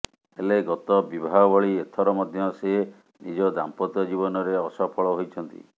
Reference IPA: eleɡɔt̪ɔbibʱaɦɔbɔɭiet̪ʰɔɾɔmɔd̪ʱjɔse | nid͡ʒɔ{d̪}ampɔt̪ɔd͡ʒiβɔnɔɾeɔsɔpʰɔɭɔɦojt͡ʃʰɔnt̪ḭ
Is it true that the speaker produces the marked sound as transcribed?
yes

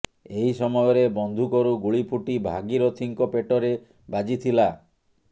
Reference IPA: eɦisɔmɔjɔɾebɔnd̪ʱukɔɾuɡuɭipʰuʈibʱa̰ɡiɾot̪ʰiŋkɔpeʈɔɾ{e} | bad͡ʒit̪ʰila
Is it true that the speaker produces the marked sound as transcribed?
yes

